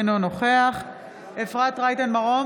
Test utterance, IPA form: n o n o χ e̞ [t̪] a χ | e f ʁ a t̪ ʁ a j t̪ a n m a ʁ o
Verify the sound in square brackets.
incorrect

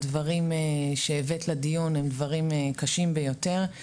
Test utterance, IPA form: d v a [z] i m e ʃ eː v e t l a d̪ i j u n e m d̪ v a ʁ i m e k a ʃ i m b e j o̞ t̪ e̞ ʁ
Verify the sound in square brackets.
incorrect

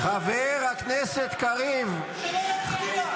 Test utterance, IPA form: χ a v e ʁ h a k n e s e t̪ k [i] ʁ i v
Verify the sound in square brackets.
incorrect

